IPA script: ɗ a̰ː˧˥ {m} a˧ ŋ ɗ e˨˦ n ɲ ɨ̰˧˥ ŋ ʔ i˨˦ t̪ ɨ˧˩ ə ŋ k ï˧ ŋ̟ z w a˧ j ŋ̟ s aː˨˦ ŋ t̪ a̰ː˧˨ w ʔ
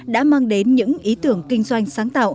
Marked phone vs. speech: correct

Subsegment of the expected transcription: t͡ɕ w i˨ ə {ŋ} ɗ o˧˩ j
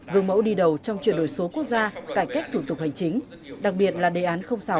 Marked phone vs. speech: incorrect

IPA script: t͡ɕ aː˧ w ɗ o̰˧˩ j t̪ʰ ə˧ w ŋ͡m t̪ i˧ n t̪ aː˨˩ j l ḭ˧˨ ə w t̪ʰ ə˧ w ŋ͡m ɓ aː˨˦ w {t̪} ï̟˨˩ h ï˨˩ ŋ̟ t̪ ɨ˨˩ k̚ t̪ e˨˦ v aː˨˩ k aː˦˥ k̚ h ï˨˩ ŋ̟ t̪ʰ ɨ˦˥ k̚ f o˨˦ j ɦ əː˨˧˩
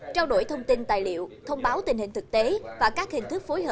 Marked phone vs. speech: correct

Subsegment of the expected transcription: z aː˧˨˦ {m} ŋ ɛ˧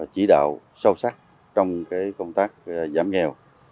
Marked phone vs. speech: correct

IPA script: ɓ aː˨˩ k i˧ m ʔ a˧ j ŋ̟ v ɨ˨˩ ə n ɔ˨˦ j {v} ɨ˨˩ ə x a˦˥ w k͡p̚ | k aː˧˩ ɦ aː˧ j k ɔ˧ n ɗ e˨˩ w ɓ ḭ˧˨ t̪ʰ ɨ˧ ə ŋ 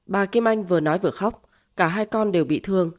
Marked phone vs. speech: correct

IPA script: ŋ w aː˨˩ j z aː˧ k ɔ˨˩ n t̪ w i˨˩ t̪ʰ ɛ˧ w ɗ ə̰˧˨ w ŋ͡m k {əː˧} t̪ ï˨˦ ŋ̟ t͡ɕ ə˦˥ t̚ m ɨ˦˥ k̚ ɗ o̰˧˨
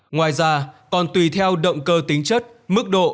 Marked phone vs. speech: correct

